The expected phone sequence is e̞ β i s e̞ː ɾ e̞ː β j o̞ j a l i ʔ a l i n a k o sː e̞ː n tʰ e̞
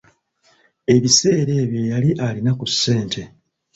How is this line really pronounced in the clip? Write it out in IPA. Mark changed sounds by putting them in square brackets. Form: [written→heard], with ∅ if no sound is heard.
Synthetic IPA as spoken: e̞ β i s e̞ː ɾ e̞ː β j o̞ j a l i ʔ a l i n a k [o→u] sː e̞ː n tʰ e̞